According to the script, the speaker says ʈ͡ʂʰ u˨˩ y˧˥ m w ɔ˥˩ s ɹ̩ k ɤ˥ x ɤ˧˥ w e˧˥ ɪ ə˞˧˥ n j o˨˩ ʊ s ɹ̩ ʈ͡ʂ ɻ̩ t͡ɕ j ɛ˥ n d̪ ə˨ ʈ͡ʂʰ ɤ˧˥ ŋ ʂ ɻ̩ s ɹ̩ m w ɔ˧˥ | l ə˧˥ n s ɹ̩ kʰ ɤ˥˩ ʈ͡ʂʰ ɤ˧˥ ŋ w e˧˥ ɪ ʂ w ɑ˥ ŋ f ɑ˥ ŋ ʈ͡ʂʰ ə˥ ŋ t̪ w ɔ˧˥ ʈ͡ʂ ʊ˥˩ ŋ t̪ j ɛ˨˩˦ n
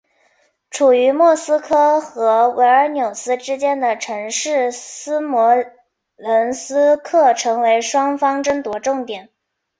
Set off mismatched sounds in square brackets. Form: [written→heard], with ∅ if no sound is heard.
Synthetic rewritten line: ʈ͡ʂʰ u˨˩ y˧˥ m w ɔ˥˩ s ɹ̩ [k→kʰ] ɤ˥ x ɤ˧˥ w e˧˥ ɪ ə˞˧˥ n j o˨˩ ʊ s ɹ̩ ʈ͡ʂ ɻ̩ t͡ɕ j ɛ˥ n d̪ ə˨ ʈ͡ʂʰ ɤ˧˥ ŋ ʂ ɻ̩ s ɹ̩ m w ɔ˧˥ | l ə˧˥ n s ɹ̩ kʰ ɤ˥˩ ʈ͡ʂʰ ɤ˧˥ ŋ w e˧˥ ɪ ʂ w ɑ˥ ŋ f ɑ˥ ŋ [ʈ͡ʂʰ→ʈ͡ʂ] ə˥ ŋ t̪ w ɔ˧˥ ʈ͡ʂ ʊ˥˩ ŋ t̪ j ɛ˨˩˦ n